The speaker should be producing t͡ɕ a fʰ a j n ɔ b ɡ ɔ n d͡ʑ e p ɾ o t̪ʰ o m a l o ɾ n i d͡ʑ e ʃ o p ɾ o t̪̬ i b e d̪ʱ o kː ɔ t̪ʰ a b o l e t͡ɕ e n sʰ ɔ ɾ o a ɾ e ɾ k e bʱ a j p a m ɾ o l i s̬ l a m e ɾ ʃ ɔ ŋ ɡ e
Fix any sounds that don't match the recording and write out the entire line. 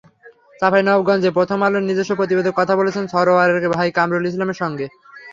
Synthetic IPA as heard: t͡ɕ a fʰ a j n ɔ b ɡ ɔ n d͡ʑ e p ɾ o t̪ʰ o m a l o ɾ n i d͡ʑ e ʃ o p ɾ o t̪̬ i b e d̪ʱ o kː ɔ t̪ʰ a b o l e t͡ɕʰ e n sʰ ɔ ɾ o a ɾ e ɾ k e bʱ a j k a m ɾ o l i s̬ l a m e ɾ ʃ ɔ ŋ ɡ e